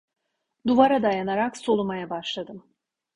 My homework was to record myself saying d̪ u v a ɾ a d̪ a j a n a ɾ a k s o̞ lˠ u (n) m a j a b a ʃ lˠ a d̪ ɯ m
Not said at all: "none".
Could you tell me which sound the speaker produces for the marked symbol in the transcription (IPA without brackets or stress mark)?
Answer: none